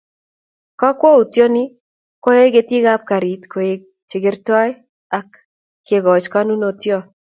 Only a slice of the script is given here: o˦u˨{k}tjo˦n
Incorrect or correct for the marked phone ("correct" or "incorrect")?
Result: incorrect